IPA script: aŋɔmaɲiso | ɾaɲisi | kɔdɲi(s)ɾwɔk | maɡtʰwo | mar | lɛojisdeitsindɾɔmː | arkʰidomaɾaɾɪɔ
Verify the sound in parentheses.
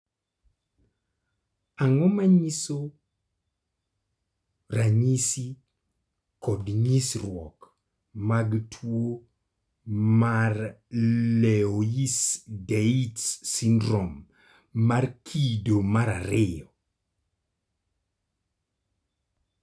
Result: correct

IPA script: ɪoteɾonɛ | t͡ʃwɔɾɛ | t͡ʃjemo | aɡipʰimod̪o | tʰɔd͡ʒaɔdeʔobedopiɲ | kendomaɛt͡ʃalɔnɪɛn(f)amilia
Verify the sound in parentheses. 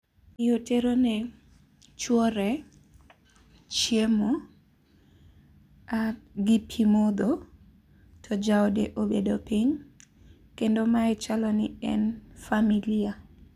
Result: correct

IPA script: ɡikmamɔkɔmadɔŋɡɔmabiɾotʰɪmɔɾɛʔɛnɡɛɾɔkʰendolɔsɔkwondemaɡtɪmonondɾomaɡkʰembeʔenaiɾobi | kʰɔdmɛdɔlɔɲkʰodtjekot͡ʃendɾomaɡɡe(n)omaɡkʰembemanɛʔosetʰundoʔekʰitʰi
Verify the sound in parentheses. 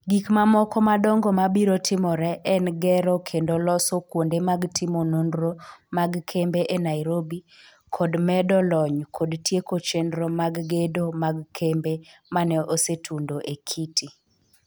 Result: incorrect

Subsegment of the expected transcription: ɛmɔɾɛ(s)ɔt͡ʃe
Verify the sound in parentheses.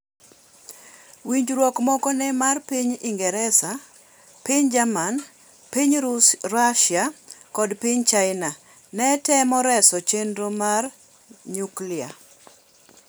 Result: correct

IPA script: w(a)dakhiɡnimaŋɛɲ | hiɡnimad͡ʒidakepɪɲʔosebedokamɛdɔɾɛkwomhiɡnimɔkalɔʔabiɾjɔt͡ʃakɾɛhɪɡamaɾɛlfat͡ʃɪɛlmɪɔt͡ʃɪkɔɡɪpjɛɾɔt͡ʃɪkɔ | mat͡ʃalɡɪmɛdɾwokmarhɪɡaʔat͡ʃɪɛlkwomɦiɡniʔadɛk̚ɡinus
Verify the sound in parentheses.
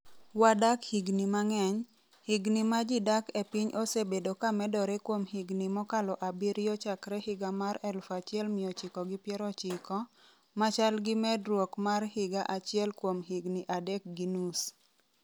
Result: correct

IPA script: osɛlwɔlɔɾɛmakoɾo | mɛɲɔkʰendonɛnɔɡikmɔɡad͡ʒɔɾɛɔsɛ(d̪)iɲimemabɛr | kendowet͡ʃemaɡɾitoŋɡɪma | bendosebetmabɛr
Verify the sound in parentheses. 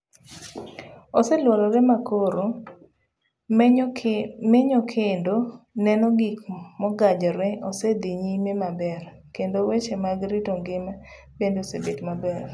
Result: correct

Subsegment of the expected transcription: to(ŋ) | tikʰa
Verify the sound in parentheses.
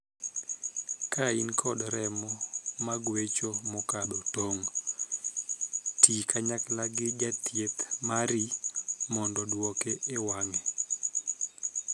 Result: correct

